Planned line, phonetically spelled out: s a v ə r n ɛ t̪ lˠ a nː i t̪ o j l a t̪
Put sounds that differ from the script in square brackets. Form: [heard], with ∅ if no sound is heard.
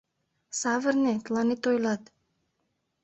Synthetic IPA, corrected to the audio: s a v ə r n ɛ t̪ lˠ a [n] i t̪ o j l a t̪